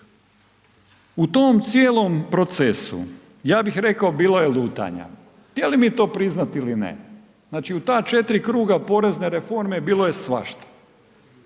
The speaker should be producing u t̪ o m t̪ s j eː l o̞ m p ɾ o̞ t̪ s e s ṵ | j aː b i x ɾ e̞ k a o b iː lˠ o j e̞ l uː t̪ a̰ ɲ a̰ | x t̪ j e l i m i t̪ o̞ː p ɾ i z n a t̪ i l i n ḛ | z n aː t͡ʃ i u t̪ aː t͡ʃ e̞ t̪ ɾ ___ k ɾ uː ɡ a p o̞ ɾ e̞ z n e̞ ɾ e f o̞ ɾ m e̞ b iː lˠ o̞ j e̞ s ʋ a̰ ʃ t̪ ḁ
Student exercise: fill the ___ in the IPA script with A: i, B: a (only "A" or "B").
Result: A